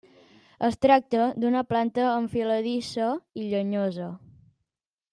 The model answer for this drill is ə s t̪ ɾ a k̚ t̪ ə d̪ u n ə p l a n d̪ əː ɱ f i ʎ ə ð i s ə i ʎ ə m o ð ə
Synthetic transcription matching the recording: ə s t̪ ɾ a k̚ t̪ ə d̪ u n ə p l a n t̪ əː ɱ f i l ə ð i s ə i ʎ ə ɲ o z ə